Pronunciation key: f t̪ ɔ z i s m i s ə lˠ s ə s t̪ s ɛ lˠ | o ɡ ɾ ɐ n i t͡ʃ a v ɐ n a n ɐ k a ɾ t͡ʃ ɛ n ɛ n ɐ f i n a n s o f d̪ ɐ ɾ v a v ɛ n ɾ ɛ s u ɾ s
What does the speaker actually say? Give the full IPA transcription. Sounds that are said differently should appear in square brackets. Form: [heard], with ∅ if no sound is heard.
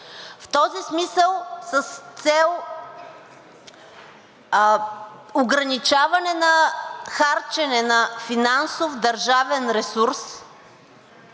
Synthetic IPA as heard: f t̪ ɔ z i s m i s ə lˠ s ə s t̪ s ɛ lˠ | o ɡ ɾ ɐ n i t͡ʃ a v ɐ n [ɛ] n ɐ [x] a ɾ t͡ʃ ɛ n ɛ n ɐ f i n a n s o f d̪ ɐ ɾ [ʒ] a v ɛ n ɾ ɛ s u ɾ s

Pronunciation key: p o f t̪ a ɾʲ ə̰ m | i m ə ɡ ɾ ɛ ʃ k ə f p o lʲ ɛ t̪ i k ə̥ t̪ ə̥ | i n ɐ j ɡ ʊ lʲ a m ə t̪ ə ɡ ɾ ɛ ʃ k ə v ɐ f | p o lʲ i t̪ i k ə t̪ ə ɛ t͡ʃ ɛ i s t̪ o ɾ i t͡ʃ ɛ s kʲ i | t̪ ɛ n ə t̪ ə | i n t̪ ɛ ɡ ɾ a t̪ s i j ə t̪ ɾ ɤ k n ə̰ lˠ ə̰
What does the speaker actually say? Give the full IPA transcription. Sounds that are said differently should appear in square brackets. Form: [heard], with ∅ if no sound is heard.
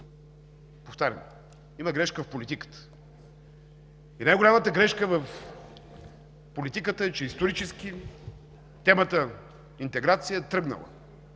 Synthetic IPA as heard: p o f t̪ a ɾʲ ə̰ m | i m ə ɡ ɾ ɛ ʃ k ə f p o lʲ [i] t̪ i k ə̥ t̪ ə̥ | i n [a] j ɡ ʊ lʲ a m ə t̪ ə ɡ ɾ ɛ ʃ k ə v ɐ f | p o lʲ i t̪ i k ə t̪ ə ɛ t͡ʃ ɛ i s t̪ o ɾ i t͡ʃ ɛ s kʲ i | t̪ ɛ [m] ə t̪ ə | i n t̪ ɛ ɡ ɾ a t̪ s i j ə t̪ ɾ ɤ [ɡ] n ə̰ lˠ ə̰

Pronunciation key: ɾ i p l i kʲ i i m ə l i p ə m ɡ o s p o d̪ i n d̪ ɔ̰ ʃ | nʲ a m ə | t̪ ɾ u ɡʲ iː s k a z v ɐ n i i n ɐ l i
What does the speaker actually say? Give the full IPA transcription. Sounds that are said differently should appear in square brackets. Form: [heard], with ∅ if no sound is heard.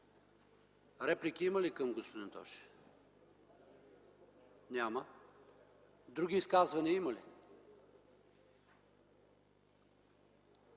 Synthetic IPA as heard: ɾ [ɛ] p l i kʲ i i m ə l i [k] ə m ɡ o s p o d̪ i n [t̪] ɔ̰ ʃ | nʲ a m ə | [d̪] ɾ u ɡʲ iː s k a z v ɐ n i i [m] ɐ l i

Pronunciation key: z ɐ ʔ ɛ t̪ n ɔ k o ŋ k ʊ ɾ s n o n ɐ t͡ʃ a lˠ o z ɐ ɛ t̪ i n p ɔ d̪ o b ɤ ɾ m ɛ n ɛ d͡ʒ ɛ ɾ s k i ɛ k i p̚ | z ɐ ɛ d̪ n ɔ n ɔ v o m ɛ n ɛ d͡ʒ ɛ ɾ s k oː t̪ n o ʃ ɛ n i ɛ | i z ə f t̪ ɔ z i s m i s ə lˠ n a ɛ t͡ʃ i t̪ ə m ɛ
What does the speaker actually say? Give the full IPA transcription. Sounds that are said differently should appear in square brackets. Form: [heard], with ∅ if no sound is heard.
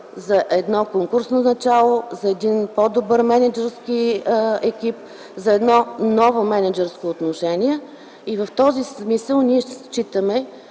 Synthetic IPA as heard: z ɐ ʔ ɛ [d̪] n ɔ k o ŋ k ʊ ɾ s n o n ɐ t͡ʃ a lˠ o z ɐ ɛ [d̪] i n p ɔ d̪ o b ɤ ɾ m ɛ n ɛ d͡ʒ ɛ ɾ s k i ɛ k i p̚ | z ɐ ɛ d̪ n ɔ n ɔ v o m ɛ n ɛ d͡ʒ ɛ ɾ s k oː t̪ n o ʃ ɛ n i ɛ | i [v] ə f t̪ ɔ z i s m i s ə lˠ n [i] ɛ t͡ʃ i t̪ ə m ɛ

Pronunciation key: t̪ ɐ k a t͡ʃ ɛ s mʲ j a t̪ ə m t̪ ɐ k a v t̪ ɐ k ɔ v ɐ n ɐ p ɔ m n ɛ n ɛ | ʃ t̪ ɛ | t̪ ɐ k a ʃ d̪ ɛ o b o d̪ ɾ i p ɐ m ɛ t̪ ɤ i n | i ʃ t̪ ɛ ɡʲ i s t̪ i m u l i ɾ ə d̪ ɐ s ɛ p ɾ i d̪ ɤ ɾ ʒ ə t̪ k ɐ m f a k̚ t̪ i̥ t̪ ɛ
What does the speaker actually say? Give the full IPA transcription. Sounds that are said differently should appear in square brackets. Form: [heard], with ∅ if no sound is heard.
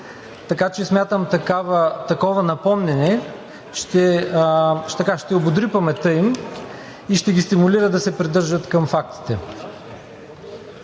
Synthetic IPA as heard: t̪ ɐ k a t͡ʃ ɛ s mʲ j a t̪ ə m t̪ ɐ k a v t̪ ɐ k ɔ v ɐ n ɐ p ɔ m n ɛ n ɛ | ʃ t̪ ɛ | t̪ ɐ k a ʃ [t̪] ɛ o b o d̪ ɾ i p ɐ m ɛ t̪ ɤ i [m] | i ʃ t̪ ɛ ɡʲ i s t̪ i m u l i ɾ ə d̪ ɐ s ɛ p ɾ i d̪ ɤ ɾ ʒ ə t̪ k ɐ m f a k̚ t̪ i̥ t̪ ɛ

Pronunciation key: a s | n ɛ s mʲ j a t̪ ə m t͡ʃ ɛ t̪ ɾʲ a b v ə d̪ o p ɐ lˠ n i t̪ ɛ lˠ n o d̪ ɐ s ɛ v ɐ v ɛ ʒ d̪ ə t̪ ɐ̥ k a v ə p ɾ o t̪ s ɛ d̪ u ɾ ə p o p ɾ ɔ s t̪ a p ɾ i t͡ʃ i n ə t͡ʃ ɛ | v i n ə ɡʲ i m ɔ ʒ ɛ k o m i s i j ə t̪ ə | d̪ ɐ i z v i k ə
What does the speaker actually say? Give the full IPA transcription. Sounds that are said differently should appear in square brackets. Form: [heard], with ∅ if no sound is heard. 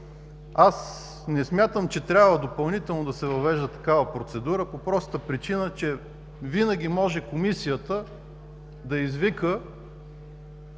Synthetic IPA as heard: a s | n ɛ s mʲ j a t̪ ə m t͡ʃ ɛ t̪ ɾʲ a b v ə d̪ o p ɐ lˠ n i t̪ ɛ lˠ n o d̪ ɐ s ɛ v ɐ v ɛ ʒ d̪ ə t̪ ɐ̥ k a v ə p ɾ o t̪ s ɛ d̪ u ɾ ə p o p ɾ ɔ s t̪ [ə] p ɾ i t͡ʃ i n ə t͡ʃ ɛ | v i n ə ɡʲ i m ɔ ʒ ɛ k o m i s i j ə t̪ ə | d̪ ɐ i z v i k ə

